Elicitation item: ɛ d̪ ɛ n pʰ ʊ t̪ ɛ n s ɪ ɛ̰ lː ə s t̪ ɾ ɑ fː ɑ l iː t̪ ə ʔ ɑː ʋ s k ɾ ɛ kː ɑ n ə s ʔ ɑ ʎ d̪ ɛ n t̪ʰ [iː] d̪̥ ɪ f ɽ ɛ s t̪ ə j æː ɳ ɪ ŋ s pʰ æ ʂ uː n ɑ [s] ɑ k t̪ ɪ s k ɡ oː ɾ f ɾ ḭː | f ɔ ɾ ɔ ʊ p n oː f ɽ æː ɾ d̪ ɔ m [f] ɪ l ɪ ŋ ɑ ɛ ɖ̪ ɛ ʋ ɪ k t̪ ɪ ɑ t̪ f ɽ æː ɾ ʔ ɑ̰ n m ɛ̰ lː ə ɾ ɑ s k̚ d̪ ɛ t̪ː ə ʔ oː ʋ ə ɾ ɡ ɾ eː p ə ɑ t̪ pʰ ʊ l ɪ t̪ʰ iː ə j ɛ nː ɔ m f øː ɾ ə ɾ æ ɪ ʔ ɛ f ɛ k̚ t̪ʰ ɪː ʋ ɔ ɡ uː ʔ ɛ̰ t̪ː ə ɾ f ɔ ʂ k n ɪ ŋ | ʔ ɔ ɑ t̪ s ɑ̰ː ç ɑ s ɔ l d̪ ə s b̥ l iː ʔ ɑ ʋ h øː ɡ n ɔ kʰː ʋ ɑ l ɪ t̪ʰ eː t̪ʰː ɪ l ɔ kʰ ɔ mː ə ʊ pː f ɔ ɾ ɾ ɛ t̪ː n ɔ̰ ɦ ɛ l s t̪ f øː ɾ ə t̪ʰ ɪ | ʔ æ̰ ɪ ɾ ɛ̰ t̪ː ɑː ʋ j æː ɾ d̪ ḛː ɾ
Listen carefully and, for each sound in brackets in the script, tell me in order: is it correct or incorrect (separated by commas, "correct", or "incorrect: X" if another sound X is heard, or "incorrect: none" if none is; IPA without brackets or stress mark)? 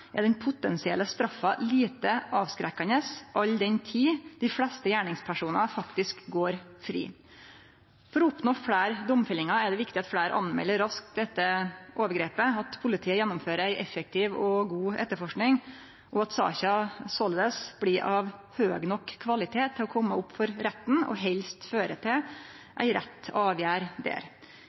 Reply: correct, incorrect: f, correct